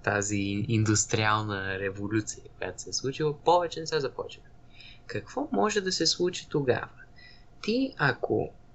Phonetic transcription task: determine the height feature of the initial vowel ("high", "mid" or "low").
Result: low